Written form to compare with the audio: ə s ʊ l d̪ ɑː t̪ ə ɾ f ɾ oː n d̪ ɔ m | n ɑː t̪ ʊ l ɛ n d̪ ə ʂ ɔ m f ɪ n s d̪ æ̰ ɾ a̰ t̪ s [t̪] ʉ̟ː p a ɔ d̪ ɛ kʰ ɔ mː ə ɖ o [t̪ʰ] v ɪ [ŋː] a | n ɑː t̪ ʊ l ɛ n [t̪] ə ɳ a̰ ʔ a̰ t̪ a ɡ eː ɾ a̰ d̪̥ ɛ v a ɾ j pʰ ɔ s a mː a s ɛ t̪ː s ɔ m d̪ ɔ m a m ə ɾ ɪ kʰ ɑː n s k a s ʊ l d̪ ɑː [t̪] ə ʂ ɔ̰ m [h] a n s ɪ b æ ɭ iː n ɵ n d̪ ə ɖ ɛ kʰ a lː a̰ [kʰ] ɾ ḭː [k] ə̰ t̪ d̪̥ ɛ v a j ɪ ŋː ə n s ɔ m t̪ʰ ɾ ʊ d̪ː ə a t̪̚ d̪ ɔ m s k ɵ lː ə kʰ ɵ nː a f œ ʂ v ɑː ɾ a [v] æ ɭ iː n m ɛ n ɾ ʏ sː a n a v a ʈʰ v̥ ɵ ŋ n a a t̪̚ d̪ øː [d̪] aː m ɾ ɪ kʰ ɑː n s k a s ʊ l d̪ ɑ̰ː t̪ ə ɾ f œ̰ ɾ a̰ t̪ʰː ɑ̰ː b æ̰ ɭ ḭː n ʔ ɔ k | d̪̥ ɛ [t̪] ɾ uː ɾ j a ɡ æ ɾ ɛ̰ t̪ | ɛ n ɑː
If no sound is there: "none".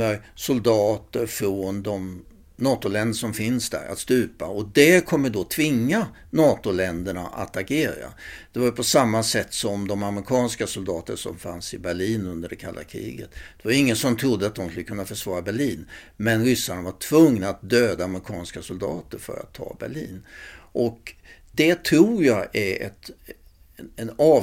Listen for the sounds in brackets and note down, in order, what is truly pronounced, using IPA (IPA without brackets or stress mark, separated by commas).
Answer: t̪, t̪ʰ, ŋː, d̪, t̪, f, kʰ, ɡ, b, d̪, t̪ʰ